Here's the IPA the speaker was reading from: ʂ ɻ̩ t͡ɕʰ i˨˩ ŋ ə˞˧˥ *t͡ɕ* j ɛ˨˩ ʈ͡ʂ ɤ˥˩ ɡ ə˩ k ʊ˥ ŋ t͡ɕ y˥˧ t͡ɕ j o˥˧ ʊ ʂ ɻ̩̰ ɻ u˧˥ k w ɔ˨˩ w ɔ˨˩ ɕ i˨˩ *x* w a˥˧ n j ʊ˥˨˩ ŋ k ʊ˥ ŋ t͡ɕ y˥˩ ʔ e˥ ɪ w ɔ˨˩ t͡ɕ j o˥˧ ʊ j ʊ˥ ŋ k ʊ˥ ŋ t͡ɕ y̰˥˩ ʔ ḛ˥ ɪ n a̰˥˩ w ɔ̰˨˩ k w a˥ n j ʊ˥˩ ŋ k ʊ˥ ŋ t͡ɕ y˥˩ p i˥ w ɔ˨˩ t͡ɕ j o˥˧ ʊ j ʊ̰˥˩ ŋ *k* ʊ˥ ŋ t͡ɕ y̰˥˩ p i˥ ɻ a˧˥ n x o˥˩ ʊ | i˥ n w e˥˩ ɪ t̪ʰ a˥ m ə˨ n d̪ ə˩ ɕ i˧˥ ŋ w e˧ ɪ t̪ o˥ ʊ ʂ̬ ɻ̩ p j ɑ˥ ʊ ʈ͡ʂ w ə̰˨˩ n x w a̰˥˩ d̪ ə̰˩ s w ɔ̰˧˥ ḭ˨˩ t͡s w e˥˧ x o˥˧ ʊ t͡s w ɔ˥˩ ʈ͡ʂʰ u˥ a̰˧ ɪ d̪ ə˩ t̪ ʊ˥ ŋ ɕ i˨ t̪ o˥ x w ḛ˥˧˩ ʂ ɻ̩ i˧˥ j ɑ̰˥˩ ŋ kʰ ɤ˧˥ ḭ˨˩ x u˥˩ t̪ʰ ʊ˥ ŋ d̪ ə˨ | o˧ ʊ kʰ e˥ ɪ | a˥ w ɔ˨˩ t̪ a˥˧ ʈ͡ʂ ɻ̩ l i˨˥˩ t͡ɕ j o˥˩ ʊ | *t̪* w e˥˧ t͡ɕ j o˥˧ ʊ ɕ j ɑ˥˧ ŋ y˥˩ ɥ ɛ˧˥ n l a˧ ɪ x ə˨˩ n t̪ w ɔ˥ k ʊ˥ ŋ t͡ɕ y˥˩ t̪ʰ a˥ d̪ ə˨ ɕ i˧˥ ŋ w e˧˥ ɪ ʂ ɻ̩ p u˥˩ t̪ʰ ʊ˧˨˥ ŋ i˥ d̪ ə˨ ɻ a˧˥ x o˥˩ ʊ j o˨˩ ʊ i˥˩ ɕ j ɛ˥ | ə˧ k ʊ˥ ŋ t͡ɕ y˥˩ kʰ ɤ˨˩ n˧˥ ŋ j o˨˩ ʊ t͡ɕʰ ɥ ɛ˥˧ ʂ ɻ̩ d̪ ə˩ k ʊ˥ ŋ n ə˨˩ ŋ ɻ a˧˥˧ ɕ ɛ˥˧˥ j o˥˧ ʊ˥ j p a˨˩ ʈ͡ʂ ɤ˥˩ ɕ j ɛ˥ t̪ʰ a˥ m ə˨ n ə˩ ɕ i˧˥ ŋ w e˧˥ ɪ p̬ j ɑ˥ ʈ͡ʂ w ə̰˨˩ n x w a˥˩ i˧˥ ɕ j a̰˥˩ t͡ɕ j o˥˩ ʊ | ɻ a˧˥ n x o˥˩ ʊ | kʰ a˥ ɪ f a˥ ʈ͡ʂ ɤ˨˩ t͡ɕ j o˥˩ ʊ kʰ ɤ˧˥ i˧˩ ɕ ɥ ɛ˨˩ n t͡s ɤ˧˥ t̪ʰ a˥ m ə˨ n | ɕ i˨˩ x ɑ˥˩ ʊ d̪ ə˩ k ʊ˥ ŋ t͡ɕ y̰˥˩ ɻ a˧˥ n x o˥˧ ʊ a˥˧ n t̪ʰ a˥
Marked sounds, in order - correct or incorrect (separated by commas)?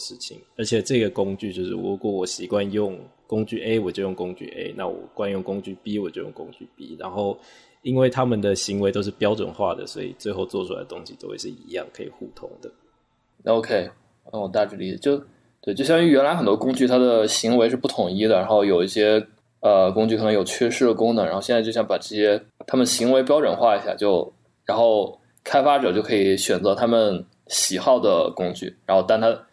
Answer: incorrect, incorrect, correct, correct